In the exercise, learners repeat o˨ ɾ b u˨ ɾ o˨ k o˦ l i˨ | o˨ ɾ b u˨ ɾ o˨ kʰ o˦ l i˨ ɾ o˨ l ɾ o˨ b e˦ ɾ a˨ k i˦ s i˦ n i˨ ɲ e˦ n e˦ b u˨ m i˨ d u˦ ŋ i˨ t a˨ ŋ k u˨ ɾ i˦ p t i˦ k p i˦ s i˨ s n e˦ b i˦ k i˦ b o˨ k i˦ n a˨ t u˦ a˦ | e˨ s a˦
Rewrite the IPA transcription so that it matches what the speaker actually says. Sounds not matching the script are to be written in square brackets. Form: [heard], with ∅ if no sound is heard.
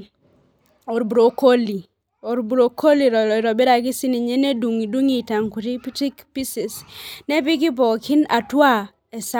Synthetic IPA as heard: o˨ ɾ b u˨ ɾ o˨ k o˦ l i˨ | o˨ ɾ b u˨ ɾ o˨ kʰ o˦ l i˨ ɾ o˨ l ɾ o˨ b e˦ ɾ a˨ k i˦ s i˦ n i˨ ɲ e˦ n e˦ [d] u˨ [ŋ] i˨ d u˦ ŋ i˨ t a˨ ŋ k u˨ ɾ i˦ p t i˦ k p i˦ s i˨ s n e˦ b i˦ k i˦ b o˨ k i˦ n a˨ t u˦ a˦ | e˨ s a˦